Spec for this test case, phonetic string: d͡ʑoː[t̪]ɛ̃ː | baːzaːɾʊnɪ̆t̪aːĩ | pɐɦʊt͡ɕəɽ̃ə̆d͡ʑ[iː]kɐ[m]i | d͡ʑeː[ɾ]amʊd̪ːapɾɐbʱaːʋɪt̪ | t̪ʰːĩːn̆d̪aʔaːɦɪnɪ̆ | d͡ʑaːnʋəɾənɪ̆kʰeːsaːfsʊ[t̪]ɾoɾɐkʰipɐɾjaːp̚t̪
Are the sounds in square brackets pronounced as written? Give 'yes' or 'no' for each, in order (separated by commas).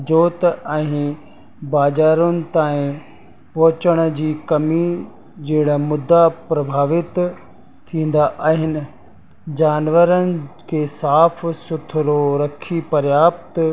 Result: yes, yes, yes, no, no